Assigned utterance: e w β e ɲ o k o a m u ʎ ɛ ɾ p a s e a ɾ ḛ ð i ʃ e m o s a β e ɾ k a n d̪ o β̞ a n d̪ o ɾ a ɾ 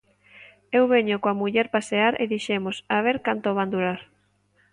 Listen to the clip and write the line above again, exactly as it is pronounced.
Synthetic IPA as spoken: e w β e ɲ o k o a m u ʎ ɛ ɾ p a s e a ɾ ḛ ð i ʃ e m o s a β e ɾ k a n t̪ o β̞ a n d̪ u ɾ a ɾ